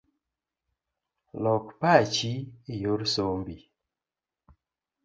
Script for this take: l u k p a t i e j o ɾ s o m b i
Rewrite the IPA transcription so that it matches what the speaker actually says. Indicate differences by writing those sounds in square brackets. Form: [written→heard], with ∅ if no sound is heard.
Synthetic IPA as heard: l [u→ɔ] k p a [t→t͡ʃ] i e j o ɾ s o m b i